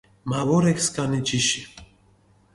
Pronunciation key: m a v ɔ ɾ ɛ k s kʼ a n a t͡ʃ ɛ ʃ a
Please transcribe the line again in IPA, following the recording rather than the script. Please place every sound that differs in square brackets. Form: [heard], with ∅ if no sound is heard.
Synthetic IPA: m a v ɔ ɾ ɛ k s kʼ a n [i] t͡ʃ [i] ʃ [i]